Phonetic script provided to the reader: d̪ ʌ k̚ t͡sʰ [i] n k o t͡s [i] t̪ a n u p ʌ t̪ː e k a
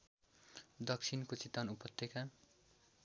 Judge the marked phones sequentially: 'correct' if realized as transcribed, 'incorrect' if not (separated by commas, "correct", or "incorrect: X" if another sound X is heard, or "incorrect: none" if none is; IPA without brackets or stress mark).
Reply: correct, correct